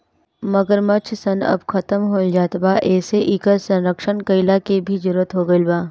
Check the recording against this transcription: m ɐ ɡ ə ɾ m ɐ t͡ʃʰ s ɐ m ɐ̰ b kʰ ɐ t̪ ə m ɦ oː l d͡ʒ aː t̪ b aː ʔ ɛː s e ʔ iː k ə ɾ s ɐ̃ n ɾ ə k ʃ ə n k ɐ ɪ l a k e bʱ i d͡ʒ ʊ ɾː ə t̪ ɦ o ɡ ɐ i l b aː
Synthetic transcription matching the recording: m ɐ ɡ ə ɾ m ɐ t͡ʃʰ s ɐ n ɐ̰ b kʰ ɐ t̪ ə m ɦ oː l d͡ʒ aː t̪ b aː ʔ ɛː s e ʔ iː k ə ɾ s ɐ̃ n ɾ ə k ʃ ə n k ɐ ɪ l a k e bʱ i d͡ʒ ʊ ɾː ə t̪ ɦ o ɡ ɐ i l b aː